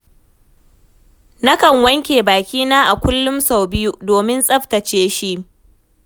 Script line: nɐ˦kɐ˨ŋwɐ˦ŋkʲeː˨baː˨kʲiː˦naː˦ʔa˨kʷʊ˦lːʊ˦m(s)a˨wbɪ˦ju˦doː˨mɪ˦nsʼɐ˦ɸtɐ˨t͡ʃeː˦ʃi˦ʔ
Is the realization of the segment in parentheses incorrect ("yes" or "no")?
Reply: no